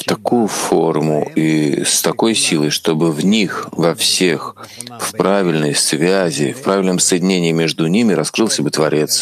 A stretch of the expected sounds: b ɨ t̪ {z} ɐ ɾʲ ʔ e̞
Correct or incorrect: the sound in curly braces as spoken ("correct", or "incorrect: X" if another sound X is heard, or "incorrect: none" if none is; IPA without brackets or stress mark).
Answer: incorrect: v